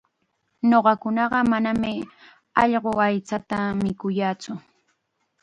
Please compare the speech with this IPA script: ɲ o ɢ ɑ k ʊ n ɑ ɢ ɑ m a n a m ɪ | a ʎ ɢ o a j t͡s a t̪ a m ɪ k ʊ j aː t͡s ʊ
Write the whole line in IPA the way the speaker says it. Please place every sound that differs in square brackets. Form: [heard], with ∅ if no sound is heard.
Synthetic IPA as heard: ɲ o ɢ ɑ k ʊ n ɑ ɢ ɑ m a n a m ɪ | [ɑ] ʎ ɢ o a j t͡s a t̪ a m ɪ k ʊ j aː t͡s ʊ